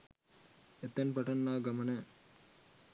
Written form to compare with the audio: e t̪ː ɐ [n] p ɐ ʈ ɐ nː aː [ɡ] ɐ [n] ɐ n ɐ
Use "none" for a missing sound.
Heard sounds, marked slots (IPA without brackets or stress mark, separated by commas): n, ɡ, m